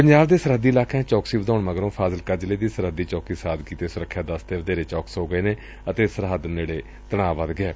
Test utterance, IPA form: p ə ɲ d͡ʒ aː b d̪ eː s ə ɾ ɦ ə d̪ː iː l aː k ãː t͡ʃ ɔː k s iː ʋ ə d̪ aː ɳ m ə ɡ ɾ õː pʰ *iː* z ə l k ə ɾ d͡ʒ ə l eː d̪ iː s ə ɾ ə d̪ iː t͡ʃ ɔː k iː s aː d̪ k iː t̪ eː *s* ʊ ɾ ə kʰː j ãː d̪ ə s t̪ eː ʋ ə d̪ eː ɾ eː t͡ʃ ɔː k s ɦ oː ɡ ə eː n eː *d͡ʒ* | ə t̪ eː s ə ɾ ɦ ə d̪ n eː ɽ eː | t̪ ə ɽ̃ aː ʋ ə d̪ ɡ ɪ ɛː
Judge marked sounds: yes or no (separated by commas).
no, yes, no